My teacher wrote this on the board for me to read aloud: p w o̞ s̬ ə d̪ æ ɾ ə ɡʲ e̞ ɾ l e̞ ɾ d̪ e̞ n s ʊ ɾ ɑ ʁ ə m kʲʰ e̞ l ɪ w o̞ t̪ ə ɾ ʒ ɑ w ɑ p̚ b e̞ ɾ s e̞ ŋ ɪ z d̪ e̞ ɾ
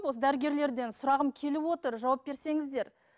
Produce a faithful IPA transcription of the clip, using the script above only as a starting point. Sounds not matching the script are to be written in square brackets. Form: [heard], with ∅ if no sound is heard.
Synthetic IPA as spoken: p w o̞ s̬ ə d̪ æ ɾ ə ɡʲ e̞ ɾ l e̞ ɾ d̪ e̞ n s ʊ ɾ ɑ ʁ ə m kʲʰ e̞ l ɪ w o̞ t̪ ə ɾ ʒ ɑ w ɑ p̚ b e̞ ɾ s e̞ ŋ ɪ z d̪ e̞ ɾ